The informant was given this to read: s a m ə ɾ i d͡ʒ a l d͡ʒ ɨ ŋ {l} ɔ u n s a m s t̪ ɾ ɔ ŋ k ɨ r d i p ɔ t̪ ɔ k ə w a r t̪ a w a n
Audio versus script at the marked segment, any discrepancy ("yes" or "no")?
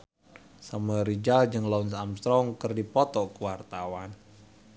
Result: no